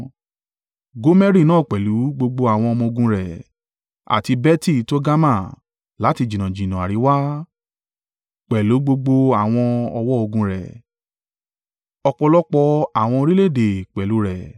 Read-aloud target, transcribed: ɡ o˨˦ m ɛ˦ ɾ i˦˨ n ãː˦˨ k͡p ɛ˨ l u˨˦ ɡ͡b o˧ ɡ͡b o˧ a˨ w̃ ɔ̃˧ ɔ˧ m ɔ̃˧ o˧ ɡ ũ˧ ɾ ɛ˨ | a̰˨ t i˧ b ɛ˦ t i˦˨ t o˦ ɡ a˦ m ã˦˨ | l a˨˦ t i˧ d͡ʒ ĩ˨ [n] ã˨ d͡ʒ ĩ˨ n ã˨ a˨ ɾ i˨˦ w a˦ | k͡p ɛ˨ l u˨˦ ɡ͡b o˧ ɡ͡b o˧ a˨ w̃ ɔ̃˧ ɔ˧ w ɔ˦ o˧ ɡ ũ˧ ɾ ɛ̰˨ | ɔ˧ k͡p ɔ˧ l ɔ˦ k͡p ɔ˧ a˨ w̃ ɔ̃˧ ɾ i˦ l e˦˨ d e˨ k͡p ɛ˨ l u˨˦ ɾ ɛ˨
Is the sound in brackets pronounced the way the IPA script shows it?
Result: yes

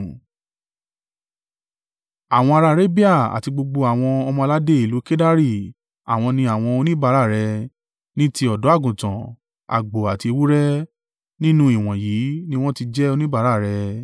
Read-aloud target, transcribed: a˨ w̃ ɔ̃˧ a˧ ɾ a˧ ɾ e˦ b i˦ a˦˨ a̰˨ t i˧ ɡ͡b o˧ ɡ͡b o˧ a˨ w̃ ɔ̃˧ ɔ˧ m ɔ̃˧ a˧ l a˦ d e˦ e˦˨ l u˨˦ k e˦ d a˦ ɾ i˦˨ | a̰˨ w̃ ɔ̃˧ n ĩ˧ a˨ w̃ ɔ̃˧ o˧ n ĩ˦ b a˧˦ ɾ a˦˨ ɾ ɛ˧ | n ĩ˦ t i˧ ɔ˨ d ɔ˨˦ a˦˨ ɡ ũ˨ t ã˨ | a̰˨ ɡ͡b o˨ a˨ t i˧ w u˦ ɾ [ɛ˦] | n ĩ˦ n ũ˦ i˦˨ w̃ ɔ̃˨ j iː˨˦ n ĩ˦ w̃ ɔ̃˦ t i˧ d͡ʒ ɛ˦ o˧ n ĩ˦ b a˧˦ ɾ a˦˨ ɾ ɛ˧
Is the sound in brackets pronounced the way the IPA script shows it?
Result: yes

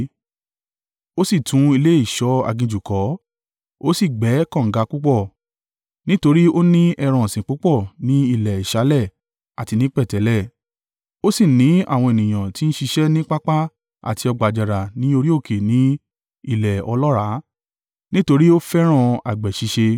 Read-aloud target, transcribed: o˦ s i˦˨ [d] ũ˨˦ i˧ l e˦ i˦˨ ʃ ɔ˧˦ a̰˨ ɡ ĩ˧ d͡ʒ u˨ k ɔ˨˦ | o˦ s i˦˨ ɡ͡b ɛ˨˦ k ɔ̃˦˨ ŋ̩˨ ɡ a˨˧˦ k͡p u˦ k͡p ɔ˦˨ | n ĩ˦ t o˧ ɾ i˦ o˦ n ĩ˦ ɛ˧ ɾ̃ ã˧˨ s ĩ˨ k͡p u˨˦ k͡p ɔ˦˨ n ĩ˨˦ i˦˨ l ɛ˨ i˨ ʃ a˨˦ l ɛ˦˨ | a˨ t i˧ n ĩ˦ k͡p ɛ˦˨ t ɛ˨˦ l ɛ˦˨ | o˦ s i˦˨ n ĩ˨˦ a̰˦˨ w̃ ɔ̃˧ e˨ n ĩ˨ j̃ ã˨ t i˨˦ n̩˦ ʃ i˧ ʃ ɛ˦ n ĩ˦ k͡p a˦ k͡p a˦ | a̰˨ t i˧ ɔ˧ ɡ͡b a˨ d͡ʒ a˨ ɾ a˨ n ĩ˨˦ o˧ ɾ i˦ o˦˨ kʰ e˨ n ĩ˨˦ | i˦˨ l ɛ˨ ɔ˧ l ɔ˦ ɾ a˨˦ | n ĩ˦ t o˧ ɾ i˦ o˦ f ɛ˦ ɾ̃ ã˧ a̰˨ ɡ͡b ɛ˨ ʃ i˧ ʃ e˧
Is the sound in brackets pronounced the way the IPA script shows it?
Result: no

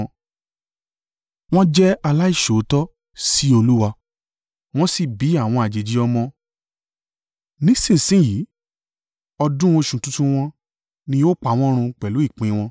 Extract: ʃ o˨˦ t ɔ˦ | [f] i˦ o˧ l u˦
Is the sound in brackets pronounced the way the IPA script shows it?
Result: no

